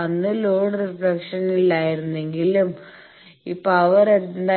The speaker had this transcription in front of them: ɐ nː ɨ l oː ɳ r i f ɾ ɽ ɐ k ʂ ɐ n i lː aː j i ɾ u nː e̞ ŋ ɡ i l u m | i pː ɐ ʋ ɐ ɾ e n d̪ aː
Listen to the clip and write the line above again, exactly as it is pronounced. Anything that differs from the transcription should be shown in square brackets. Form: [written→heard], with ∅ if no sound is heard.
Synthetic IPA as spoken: ɐ nː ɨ l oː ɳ r i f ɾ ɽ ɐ k ʂ ɐ n i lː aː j i ɾ u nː e̞ ŋ ɡ i l u m | i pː ɐ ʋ ɐ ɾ e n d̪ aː